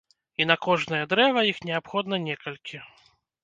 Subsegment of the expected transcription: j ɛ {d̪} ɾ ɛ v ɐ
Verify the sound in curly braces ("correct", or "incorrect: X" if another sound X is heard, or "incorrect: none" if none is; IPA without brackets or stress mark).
correct